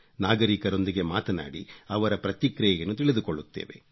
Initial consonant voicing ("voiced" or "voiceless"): voiced